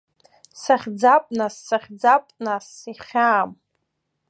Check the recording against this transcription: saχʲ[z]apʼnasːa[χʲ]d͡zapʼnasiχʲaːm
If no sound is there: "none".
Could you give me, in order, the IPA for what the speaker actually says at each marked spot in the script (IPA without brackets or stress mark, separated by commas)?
d͡z, χʲ